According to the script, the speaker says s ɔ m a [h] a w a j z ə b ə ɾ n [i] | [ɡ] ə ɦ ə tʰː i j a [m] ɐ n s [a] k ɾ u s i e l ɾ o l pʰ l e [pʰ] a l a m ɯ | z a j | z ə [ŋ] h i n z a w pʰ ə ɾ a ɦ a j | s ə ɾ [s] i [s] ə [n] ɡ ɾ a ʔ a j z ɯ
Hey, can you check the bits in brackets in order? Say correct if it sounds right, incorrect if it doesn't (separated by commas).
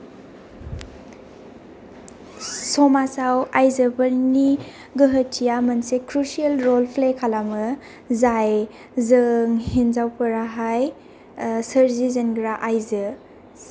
incorrect, correct, correct, correct, incorrect, incorrect, correct, incorrect, incorrect, correct